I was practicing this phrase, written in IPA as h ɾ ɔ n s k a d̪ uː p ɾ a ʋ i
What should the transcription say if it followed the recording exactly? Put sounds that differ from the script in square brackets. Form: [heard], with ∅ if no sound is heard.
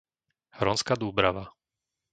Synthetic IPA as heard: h ɾ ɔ n s k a d̪ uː [b] ɾ a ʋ [a]